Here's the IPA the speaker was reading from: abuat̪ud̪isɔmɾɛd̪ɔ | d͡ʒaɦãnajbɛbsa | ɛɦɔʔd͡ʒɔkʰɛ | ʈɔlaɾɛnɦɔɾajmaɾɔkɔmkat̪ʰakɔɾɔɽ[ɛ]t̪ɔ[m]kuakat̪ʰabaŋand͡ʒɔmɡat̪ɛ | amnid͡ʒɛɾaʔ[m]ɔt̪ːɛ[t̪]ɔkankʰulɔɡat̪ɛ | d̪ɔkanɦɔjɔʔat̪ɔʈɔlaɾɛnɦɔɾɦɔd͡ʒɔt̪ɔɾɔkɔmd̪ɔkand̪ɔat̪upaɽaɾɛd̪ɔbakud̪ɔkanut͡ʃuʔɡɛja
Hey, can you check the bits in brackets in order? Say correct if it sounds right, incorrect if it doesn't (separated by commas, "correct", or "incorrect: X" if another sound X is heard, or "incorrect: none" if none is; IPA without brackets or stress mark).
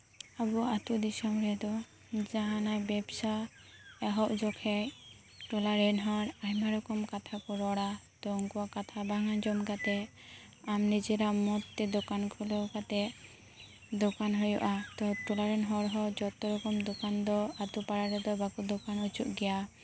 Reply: incorrect: a, incorrect: ŋ, correct, incorrect: d̪